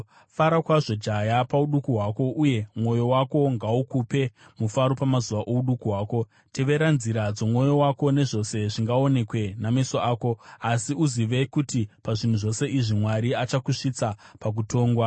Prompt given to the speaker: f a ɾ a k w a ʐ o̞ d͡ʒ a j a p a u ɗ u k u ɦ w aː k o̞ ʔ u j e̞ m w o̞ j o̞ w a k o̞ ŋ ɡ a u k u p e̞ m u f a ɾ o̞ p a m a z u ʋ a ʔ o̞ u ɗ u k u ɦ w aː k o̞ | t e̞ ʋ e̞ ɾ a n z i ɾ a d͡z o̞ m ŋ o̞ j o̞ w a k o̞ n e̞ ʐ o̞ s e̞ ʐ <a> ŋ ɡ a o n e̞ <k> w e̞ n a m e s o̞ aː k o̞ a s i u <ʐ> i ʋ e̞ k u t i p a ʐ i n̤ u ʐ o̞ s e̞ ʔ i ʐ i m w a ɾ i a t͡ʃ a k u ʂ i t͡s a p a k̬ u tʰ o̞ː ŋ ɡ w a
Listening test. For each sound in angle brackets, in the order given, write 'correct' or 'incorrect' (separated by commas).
incorrect, correct, incorrect